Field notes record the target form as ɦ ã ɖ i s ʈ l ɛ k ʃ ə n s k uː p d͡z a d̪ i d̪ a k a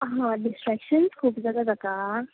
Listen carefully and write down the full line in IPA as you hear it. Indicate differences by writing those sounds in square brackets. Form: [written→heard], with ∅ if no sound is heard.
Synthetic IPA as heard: ɦ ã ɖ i s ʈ [l→ɾ] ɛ k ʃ ə n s [k→kʰ] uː p d͡z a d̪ [i→a] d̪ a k a